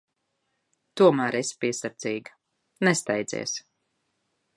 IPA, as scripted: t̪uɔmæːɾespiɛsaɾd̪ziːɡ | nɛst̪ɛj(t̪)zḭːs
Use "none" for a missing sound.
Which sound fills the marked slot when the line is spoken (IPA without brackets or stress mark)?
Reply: d̪